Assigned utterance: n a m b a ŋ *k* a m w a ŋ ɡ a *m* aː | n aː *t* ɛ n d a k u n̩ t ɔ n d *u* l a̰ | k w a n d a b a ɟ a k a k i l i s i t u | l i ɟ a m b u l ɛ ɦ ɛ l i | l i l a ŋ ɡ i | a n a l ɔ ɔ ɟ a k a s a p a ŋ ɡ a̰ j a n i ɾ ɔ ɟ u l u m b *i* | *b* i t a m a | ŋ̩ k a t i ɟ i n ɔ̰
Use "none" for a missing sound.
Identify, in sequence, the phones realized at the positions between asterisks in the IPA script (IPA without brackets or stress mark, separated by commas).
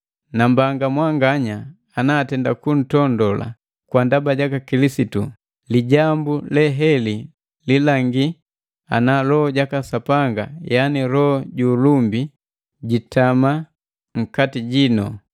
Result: ɡ, ɲ, t, ɔ, i, ɟ